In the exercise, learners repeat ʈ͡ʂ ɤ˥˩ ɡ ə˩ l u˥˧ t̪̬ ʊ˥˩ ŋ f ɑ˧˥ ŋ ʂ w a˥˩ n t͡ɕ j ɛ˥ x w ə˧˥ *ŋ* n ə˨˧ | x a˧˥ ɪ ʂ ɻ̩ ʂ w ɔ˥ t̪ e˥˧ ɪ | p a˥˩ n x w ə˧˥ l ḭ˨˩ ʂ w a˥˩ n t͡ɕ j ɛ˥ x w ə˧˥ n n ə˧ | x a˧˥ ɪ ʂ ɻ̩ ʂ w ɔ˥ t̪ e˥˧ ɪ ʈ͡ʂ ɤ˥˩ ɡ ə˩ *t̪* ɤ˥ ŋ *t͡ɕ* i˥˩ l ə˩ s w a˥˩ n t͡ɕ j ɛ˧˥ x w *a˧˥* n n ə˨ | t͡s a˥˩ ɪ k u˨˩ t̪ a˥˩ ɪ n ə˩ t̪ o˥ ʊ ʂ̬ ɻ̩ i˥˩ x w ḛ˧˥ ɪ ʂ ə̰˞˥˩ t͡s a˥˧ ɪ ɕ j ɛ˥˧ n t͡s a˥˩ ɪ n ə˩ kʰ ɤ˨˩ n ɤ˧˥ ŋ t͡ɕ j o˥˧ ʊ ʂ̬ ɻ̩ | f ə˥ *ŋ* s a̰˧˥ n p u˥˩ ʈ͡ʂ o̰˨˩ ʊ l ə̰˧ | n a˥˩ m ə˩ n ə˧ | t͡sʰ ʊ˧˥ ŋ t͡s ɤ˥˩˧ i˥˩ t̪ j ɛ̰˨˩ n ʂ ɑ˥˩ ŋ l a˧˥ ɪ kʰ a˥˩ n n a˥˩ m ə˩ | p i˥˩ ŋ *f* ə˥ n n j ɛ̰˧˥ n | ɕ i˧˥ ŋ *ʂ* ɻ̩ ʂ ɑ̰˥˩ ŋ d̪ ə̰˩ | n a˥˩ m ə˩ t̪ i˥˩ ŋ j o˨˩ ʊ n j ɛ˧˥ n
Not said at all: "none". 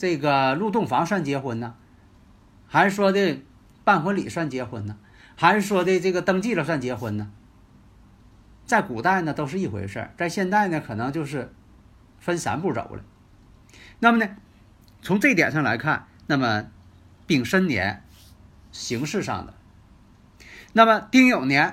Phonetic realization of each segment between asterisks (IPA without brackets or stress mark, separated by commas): n, t̪, t͡ɕ, ə˧˥, n, ʂ, ʂ